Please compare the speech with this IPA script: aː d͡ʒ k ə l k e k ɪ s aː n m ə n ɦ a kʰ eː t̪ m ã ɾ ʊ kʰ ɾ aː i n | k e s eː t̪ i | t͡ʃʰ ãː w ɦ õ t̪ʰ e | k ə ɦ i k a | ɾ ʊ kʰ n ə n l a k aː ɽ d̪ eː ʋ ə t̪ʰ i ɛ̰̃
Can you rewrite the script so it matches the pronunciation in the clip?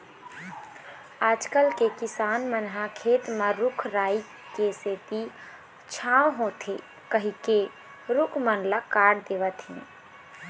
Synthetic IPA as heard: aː d͡ʒ k ə l k e k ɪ s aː n m ə n ɦ a kʰ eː t̪ m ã ɾ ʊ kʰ ɾ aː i | k e s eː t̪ i | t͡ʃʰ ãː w ɦ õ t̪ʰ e | k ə ɦ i k e | ɾ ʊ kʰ m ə n l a k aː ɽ d̪ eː ʋ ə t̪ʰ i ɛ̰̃